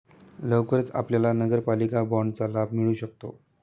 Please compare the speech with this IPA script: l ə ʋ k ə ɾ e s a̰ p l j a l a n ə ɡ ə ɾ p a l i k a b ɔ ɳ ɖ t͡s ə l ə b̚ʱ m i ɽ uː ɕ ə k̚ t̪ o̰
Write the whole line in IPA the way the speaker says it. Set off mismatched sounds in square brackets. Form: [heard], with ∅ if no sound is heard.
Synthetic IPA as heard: l ə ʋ k ə ɾ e [t͡s] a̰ p l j a l a n ə ɡ ə ɾ p a l i k a b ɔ ɳ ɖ t͡s [a] l [a] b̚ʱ m i [ɭ] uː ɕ ə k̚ t̪ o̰